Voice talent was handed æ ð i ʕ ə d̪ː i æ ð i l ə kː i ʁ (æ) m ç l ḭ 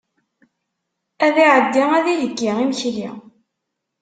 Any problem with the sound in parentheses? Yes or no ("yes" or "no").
yes